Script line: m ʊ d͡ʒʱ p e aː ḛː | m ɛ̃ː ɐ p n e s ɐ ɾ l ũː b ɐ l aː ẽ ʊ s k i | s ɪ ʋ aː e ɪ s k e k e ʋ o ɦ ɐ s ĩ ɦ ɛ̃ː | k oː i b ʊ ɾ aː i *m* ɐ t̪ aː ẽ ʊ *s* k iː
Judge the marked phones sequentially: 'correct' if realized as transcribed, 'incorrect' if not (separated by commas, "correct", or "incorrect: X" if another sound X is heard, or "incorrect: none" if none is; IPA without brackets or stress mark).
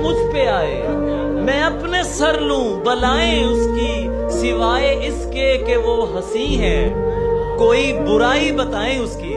incorrect: b, correct